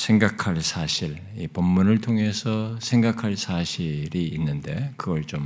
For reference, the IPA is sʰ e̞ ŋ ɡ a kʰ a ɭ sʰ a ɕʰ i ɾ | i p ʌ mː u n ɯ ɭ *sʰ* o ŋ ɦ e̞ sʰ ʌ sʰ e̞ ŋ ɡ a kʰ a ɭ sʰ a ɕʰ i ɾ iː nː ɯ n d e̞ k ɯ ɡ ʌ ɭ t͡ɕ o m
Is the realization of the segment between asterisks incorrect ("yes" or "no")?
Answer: yes